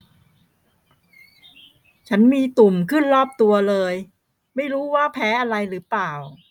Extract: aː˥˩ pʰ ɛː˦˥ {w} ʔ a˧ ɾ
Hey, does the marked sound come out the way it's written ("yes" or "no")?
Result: no